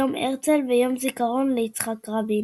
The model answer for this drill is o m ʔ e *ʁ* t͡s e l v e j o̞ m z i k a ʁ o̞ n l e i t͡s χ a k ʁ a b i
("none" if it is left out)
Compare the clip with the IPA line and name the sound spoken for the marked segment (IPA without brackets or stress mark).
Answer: ʁ